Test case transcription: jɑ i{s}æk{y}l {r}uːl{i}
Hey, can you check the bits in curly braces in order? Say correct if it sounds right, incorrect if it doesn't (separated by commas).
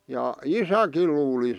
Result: correct, incorrect, incorrect, correct